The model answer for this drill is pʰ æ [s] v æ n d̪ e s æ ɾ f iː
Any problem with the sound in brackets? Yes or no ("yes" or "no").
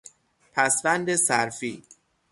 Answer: no